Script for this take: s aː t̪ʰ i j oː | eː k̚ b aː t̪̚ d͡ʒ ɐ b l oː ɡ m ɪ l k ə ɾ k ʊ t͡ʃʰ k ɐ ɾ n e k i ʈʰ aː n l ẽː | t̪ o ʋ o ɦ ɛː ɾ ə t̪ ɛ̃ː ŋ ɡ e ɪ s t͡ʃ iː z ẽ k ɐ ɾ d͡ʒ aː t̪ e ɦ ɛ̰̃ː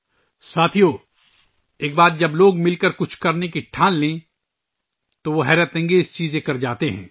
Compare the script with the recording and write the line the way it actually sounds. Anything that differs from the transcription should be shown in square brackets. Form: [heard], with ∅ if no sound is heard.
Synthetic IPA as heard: s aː t̪ʰ i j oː | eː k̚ b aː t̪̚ d͡ʒ ɐ b l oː ɡ m ɪ l k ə ɾ k ʊ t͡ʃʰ k ɐ ɾ n e k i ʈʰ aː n l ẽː | t̪ o ʋ o ɦ ɛː ɾ ə t̪ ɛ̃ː ŋ ɡ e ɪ s t͡ʃ iː z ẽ k ɐ ɾ d͡ʒ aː t̪ e ɦ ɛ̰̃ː